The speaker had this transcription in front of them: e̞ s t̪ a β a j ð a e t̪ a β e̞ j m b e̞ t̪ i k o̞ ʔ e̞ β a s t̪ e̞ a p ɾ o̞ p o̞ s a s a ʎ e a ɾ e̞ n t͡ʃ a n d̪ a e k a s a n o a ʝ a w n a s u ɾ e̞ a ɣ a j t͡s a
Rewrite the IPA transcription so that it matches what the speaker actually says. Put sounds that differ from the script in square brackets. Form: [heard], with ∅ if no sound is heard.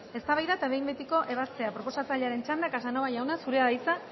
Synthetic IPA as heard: e̞ s t̪ a β a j ð a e t̪ a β e̞ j m b e̞ t̪ i k o̞ ʔ e̞ β a s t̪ e̞ a p ɾ o̞ p o̞ s a [t͡s] a ʎ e a ɾ e̞ n t͡ʃ a n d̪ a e k a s a n o a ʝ a w n a s u ɾ e̞ a [ð] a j t͡s a